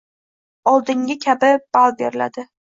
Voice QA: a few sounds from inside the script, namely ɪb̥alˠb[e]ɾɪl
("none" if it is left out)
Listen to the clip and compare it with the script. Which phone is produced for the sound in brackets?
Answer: e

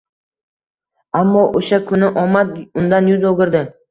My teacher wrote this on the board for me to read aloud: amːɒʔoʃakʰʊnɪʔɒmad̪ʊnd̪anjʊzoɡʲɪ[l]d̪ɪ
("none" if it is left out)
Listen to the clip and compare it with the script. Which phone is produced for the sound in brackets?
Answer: ɾ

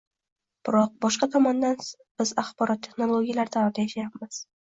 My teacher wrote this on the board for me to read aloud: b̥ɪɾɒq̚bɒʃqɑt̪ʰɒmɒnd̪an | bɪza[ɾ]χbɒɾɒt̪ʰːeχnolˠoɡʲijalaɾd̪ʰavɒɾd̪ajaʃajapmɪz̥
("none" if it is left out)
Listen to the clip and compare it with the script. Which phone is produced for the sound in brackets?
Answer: none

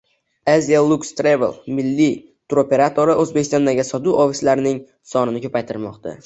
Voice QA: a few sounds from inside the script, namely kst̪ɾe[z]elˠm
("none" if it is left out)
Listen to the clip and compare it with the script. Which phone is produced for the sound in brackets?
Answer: v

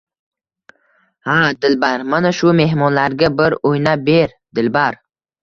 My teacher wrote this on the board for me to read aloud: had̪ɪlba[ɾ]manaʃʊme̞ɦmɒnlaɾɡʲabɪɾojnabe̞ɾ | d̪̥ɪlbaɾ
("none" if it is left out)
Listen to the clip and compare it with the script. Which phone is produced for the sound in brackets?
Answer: ɾ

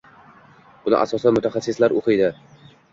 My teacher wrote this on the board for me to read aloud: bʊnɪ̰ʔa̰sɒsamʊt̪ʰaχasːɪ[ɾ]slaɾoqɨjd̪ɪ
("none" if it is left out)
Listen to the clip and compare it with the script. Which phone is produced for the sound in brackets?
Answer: none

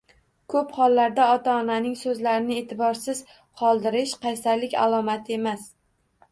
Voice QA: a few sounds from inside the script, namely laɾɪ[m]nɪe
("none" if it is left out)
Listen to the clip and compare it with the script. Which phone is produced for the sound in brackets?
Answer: none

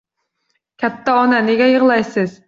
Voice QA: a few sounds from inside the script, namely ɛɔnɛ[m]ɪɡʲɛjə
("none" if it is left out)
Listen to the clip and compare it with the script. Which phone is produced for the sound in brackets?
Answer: n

